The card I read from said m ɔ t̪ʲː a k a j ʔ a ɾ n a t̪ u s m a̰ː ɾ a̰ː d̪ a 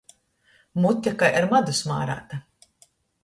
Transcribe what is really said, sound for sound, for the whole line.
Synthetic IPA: m u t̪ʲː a k a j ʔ a ɾ m a d̪ u s m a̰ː ɾ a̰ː t̪ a

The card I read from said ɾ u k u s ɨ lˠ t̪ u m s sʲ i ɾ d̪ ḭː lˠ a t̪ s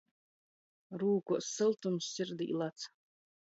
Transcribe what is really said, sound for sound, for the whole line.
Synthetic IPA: ɾ uː k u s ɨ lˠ t̪ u m s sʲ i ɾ d̪ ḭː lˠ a t̪ s

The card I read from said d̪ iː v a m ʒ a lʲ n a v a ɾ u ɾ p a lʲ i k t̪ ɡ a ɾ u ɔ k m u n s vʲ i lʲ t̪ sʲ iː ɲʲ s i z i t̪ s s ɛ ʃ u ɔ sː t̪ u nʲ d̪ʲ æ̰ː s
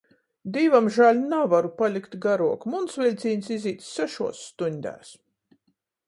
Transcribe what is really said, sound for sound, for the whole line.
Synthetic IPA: d̪ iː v a m ʒ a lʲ n a v a ɾ u p a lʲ i k t̪ ɡ a ɾ u ɔ k m u n s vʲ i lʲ t̪ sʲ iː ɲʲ s i z iː t̪ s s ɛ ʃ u ɔ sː t̪ u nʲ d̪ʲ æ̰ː s

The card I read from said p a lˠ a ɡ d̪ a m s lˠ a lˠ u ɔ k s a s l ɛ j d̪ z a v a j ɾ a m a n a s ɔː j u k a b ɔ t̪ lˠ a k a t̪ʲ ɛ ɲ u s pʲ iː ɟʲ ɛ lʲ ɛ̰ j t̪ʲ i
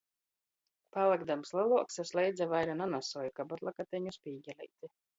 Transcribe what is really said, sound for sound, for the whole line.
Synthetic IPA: p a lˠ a ɡ d̪ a m s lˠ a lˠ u ɔ k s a s l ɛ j d̪ z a v a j ɾ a n a n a s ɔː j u k a b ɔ t̪ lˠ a k a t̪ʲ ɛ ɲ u s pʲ iː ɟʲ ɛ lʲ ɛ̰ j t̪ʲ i

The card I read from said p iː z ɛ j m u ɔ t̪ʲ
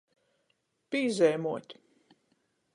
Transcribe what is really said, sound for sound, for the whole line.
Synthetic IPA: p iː z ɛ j m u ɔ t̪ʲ

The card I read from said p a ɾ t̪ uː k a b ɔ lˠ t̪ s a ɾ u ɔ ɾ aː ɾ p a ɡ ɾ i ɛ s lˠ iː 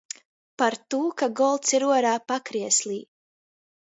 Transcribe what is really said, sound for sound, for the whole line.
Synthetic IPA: p a ɾ t̪ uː k a ɡ ɔ lˠ t̪ s i ɾ u ɔ ɾ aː p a k ɾ i ɛ s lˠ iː

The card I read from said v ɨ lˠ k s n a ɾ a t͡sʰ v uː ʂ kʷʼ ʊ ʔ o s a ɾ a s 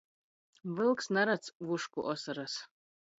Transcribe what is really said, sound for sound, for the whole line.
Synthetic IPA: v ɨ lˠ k s n a ɾ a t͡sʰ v u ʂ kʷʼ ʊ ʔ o s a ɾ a s

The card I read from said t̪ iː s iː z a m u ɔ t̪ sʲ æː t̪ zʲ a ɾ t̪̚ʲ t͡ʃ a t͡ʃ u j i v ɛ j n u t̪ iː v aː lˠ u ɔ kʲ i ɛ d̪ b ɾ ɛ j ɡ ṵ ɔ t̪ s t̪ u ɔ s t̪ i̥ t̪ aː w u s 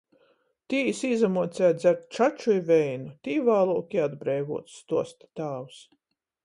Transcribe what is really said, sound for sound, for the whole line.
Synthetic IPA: t̪ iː s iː z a m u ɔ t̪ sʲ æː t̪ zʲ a ɾ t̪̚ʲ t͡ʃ a t͡ʃ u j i v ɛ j n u t̪ iː v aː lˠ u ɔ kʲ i a d̪ b ɾ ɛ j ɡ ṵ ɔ t̪ s t̪ u ɔ s t̪ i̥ t̪ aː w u s

